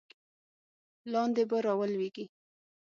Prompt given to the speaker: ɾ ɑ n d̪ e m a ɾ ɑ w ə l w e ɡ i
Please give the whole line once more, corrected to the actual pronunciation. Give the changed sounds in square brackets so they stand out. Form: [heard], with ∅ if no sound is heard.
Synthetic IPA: [l] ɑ n d̪ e [b] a ɾ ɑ w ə l w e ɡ i